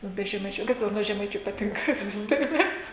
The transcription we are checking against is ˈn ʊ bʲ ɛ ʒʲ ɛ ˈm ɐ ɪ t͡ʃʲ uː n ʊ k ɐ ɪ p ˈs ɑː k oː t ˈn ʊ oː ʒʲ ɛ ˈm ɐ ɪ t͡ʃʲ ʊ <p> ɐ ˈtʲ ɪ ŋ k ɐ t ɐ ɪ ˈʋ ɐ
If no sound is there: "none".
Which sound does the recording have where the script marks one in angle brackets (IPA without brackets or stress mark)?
p